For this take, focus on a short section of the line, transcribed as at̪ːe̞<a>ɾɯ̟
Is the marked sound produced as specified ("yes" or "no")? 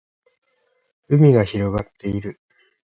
no